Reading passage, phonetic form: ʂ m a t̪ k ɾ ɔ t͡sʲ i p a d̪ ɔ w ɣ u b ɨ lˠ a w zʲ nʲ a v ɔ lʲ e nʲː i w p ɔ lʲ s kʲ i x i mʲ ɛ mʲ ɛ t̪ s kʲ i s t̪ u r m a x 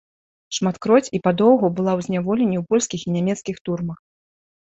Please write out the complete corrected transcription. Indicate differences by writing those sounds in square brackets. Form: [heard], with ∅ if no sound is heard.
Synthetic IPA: ʂ m a t̪ k ɾ ɔ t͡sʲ i p a d̪ ɔ w ɣ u b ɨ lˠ a w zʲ nʲ a v ɔ lʲ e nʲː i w p ɔ lʲ s kʲ i x i [nʲ] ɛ mʲ ɛ t̪ s kʲ i [x] t̪ u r m [ɐ] x